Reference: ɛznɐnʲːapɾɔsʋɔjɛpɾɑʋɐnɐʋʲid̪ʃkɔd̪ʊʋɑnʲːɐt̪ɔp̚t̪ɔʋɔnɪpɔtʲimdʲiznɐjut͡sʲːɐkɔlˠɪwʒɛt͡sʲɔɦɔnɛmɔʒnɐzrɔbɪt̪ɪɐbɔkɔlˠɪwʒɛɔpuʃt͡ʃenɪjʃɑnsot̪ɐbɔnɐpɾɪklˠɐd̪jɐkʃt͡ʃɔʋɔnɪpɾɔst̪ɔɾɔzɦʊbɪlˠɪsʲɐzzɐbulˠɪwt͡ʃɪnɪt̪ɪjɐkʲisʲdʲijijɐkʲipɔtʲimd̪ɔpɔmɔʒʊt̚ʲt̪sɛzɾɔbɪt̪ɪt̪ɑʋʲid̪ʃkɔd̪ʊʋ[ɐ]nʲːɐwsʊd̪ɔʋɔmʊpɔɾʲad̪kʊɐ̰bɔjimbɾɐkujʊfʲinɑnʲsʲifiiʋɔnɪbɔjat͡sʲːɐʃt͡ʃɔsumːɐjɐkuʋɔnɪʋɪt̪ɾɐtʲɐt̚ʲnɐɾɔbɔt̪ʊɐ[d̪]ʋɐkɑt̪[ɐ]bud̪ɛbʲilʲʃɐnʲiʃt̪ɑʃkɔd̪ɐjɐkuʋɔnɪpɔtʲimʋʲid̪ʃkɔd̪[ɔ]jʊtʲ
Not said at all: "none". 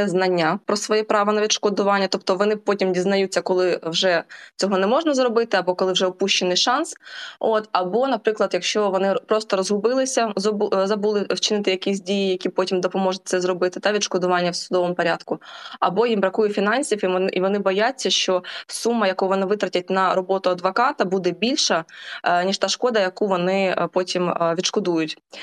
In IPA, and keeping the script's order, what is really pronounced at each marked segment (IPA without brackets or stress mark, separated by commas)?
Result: ɑ, d̪, ɐ, u